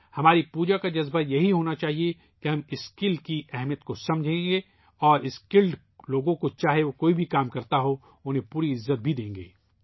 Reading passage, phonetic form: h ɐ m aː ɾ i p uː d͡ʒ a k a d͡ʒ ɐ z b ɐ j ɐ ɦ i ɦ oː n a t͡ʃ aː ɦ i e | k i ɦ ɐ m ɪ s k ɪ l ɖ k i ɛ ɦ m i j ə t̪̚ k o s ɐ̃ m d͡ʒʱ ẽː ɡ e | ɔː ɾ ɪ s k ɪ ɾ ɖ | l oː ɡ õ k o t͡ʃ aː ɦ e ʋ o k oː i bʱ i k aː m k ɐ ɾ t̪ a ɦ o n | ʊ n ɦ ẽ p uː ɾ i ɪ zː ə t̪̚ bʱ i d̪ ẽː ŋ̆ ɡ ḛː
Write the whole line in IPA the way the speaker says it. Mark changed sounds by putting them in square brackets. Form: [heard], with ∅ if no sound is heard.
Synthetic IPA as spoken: h ɐ m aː ɾ i p uː d͡ʒ a k a d͡ʒ ɐ z b [a] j ɐ ɦ i ɦ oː n a t͡ʃ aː ɦ i e | k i ɦ ɐ m ɪ s k ɪ l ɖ k i ɛ ɦ m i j ə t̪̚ k o s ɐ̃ m d͡ʒʱ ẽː ɡ e | ɔː ɾ ɪ s k ɪ [l] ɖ | l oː ɡ õ k o t͡ʃ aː ɦ e ʋ o k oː i bʱ i k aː m k ɐ ɾ t̪ a ɦ o [∅] | ʊ n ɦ ẽ p uː ɾ i ɪ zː ə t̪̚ bʱ i d̪ ẽː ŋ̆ ɡ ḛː

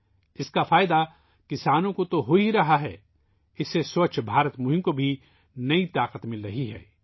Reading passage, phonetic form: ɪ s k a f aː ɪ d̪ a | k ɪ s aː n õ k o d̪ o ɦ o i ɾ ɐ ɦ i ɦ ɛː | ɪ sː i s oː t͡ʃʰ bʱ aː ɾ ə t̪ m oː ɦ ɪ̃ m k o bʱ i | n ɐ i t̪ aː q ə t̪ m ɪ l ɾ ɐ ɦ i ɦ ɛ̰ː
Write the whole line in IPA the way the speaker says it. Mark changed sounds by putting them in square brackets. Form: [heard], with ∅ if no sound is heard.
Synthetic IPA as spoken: ɪ s k a f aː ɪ d̪ a | k ɪ s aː n õ k o [t̪] o ɦ o i ɾ ɐ ɦ [a] ɦ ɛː | ɪ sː [e] s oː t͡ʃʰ bʱ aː ɾ ə t̪ m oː ɦ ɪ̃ m k o bʱ i | n ɐ i t̪ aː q ə t̪ m ɪ l ɾ ɐ ɦ i ɦ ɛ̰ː

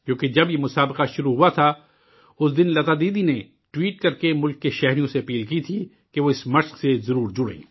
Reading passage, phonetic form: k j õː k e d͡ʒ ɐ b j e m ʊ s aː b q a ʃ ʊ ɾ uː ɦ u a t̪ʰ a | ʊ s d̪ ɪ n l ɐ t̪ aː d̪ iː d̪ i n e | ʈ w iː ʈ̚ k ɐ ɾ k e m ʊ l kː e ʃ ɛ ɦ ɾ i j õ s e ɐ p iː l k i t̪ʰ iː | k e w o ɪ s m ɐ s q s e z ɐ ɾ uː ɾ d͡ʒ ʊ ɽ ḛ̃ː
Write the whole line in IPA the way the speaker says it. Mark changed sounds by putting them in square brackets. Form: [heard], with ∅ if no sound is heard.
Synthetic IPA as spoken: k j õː k e d͡ʒ ɐ b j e m ʊ s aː b q a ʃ ʊ ɾ [u] ɦ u a t̪ʰ a | ʊ s d̪ ɪ n l ɐ t̪ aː d̪ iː d̪ i n e | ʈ w iː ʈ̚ k ɐ ɾ k e m ʊ l kː e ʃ ɛ ɦ ɾ i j õ s e ɐ p iː l k i t̪ʰ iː | k e [ʋ] o ɪ s m ɐ [ʃ] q s e z ɐ ɾ uː ɾ d͡ʒ ʊ ɽ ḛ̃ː

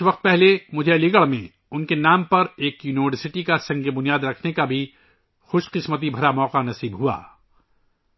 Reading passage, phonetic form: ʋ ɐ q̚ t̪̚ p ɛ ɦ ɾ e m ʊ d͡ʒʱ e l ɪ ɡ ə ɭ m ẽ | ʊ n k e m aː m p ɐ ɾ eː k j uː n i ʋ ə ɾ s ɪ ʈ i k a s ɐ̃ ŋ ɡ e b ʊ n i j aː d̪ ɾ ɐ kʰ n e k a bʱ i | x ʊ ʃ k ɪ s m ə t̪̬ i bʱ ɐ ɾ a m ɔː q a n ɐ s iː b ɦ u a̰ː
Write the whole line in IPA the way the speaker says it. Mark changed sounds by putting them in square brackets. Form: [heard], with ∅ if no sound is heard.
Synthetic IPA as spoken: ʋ ɐ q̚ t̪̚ p ɛ ɦ [l] e m ʊ d͡ʒʱ e l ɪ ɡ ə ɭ m ẽ | ʊ n k e [n] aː m p ɐ ɾ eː k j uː n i ʋ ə ɾ s ɪ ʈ i k a s ɐ̃ ŋ ɡ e b ʊ n i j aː d̪ ɾ ɐ kʰ n e k a bʱ i | x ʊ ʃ [q] ɪ s m ə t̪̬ i bʱ ɐ ɾ a m ɔː q a n ɐ s iː b ɦ u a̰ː

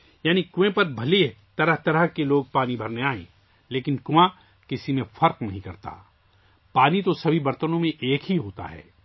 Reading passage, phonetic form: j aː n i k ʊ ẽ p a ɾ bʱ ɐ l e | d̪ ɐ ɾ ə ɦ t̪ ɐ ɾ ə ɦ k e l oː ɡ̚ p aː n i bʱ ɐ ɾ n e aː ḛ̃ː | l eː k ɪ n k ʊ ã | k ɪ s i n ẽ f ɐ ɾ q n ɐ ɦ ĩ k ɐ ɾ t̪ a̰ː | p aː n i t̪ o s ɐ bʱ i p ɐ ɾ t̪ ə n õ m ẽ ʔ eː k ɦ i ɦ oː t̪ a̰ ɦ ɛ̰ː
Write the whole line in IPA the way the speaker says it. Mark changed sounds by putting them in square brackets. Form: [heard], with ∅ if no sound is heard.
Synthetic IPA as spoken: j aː n i k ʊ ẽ p [ɐ] ɾ bʱ ɐ l e | [t̪] ɐ ɾ ə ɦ t̪ ɐ ɾ ə ɦ k e l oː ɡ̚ p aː n i bʱ ɐ ɾ n e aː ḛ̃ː | l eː k ɪ n k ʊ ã | k ɪ s i [m] ẽ f ɐ ɾ q n ɐ ɦ ĩ k ɐ ɾ t̪ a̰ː | p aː n i t̪ o s ɐ bʱ i [b] ɐ ɾ t̪ ə n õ m ẽ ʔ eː k ɦ i ɦ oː t̪ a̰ ɦ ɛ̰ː

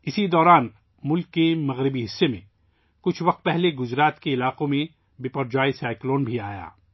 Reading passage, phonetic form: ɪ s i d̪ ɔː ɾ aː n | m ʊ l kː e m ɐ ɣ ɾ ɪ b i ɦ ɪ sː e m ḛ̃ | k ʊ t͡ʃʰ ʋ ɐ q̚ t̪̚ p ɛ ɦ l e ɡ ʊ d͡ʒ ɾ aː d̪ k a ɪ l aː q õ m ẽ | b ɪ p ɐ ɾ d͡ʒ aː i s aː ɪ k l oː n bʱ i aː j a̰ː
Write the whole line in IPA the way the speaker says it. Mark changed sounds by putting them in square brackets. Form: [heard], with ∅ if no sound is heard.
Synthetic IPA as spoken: ɪ s i d̪ ɔː ɾ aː n | m ʊ l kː e m ɐ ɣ ɾ ɪ b i ɦ ɪ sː e m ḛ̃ | k ʊ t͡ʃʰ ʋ ɐ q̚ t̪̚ p ɛ ɦ l e ɡ ʊ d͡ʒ ɾ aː [t̪] k [e] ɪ l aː q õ m ẽ | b ɪ p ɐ ɾ d͡ʒ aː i s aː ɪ k l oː n bʱ i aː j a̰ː

